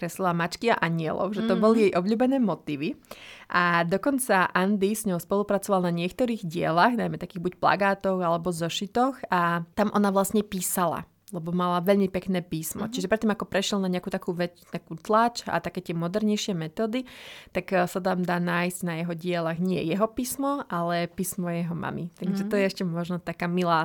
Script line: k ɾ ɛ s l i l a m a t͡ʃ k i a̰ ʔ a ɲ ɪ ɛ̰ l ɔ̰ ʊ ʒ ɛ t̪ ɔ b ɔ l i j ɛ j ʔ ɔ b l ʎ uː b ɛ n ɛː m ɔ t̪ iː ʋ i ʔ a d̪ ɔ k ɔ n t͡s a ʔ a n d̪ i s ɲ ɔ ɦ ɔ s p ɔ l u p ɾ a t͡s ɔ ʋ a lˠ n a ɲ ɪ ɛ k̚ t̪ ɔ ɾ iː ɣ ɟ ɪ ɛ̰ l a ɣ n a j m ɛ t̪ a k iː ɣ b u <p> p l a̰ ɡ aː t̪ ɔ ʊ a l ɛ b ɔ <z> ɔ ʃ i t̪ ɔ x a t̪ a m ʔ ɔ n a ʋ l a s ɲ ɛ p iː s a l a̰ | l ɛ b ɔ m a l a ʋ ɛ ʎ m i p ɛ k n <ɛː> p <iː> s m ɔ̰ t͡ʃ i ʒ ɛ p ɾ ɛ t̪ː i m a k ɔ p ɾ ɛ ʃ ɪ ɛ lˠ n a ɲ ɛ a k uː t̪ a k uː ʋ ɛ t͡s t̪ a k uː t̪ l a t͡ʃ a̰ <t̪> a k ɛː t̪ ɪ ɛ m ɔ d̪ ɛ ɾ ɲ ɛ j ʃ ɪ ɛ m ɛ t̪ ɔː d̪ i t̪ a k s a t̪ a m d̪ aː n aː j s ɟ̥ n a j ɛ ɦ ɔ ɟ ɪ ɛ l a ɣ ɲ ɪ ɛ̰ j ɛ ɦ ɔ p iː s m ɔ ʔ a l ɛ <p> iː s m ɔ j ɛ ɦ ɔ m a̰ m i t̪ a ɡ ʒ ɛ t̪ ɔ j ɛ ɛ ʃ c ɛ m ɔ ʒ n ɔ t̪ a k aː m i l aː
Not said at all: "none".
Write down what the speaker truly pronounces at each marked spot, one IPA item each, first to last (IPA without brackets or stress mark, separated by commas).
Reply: c, z, ɛː, iː, t̪, p